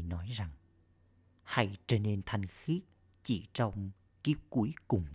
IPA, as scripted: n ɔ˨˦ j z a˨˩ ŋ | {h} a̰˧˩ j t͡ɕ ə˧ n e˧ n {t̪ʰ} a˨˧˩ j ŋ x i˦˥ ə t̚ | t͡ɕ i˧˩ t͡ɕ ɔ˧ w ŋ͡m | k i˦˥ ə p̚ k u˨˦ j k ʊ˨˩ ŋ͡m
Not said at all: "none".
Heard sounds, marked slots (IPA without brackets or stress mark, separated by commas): h, t̪ʰ